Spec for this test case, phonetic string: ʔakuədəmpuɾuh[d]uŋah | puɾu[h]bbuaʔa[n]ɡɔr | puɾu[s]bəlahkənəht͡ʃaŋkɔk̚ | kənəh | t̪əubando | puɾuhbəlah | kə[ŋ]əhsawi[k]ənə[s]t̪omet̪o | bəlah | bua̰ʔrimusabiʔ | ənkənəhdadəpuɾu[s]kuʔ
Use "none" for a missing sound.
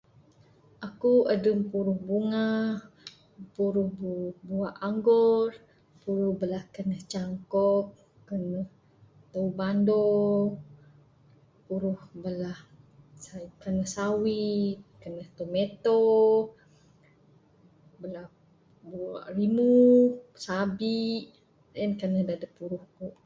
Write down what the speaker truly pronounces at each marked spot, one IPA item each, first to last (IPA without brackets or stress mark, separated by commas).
b, h, ŋ, h, n, k, h, h